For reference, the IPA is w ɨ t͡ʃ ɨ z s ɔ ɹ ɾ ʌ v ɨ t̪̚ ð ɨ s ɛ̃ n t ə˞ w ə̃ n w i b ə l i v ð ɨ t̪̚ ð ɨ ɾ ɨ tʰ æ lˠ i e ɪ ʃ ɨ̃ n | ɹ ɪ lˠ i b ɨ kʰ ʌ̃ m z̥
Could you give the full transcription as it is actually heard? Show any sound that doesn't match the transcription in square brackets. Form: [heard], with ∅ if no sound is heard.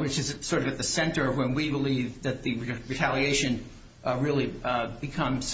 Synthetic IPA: w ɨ t͡ʃ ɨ z s ɔ ɹ ɾ ʌ v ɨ t̪̚ ð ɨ s ɛ̃ n t ə˞ w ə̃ n w i b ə l i v ð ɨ t̪̚ ð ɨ [ɹ] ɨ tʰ æ lˠ i e ɪ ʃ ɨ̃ n | ɹ ɪ lˠ i b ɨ kʰ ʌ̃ m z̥